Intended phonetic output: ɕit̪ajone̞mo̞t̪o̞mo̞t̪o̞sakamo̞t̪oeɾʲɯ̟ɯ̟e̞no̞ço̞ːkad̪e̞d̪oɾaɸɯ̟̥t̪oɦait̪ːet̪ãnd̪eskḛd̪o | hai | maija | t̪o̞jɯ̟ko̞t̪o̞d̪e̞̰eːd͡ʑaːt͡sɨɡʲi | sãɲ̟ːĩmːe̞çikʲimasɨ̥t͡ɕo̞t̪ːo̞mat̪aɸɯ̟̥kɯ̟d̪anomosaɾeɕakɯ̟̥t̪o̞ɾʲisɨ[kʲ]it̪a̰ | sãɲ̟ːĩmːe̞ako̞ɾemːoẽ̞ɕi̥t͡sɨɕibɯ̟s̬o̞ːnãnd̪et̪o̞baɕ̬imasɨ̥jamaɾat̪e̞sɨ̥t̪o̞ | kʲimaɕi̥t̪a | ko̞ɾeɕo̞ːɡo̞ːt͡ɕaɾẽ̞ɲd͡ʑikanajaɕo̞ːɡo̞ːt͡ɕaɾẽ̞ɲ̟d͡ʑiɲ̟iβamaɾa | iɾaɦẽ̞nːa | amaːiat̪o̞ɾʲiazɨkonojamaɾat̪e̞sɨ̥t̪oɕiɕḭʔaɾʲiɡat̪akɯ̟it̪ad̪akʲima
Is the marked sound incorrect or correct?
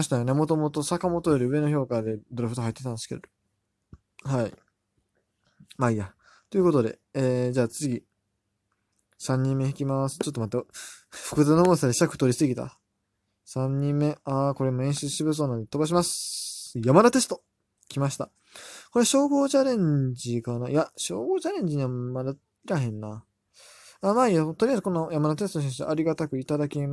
incorrect